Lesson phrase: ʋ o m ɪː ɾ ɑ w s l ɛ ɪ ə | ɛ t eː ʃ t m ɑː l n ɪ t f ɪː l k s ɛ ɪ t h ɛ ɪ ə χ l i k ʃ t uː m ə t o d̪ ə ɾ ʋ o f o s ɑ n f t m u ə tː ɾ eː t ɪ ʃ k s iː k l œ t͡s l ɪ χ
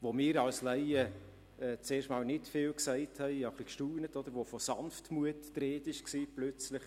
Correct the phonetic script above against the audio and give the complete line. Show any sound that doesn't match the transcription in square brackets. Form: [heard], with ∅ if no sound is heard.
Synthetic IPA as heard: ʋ o m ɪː ɾ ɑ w s l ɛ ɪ ə | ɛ [t͡s] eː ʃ t m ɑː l n ɪ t f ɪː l k s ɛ ɪ t h ɛ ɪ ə χ l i k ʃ t uː [n] ə t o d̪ ə ɾ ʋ o f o s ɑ n f t m u ə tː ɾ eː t ɪ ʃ k s iː [p] l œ t͡s l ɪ χ